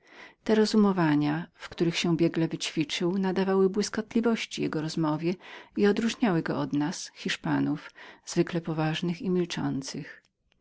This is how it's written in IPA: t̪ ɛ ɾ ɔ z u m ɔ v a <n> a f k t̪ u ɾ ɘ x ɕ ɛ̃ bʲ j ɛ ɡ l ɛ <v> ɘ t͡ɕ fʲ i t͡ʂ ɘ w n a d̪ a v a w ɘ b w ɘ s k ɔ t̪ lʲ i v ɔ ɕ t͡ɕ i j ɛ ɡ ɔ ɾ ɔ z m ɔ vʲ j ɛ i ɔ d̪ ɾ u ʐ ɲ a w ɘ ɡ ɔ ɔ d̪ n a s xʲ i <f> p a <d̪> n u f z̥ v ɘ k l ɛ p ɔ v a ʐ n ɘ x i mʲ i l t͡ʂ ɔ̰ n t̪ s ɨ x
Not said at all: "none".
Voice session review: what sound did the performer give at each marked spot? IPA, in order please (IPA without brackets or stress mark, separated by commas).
ɲ, v, ʂ, none